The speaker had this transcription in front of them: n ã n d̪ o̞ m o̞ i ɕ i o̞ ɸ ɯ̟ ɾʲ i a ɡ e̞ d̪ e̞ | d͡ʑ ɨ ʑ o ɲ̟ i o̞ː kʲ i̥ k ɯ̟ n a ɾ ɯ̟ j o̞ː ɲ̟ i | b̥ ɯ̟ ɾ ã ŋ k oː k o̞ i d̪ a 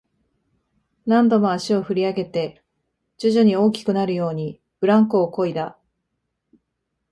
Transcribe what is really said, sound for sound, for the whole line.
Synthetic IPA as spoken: n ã n d̪ o̞ m o̞ a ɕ i o̞ ɸ ɯ̟ ɾʲ i a ɡ e̞ t̪ e̞ | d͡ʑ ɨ ʑ o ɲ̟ i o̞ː kʲ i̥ k ɯ̟ n a ɾ ɯ̟ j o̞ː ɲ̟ i | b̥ ɯ̟ ɾ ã ŋ k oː k o̞ i d̪ a